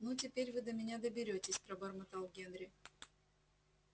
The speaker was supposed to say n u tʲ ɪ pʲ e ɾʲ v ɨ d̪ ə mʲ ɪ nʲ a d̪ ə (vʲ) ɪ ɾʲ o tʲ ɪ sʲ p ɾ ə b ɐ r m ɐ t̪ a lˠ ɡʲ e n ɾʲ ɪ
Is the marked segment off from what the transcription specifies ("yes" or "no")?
yes